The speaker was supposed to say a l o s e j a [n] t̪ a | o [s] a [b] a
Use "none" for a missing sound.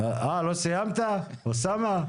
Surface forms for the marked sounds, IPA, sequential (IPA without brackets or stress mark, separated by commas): m, s, m